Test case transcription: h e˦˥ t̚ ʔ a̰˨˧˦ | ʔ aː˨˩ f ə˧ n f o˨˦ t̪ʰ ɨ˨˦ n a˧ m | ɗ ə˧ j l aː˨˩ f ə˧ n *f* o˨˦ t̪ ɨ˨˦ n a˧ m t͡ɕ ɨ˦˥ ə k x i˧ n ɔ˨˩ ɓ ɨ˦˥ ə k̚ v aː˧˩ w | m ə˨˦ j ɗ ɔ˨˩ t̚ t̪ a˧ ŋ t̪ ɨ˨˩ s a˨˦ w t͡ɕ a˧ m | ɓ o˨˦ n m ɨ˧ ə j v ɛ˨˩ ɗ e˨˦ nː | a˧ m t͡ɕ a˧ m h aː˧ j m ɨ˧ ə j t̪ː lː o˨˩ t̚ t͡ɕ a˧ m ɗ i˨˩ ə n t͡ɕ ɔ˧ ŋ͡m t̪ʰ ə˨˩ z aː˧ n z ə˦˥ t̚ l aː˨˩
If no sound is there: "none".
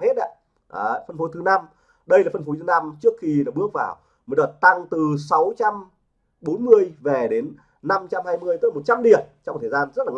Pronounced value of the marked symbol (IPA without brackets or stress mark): f